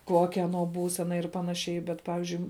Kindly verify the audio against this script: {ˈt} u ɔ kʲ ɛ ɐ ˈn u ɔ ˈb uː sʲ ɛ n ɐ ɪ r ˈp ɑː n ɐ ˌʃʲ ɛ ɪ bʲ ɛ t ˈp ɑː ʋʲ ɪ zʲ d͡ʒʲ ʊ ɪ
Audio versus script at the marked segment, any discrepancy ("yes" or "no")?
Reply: yes